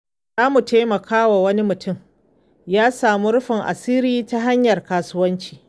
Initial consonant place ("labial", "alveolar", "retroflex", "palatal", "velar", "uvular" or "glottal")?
alveolar